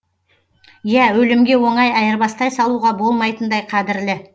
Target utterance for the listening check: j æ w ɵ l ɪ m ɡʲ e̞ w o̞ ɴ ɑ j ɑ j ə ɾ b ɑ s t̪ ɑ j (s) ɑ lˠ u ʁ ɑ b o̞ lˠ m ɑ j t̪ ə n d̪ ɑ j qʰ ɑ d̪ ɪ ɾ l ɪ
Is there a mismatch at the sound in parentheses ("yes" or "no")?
no